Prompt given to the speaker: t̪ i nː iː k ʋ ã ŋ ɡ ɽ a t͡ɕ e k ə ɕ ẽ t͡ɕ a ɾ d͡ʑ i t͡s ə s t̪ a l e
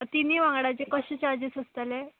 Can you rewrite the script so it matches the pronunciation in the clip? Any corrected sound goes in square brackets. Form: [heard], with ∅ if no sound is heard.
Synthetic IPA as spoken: t̪ i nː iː [∅] ʋ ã ŋ ɡ ɽ a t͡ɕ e k ə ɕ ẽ t͡ɕ a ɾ d͡ʑ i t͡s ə s t̪ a l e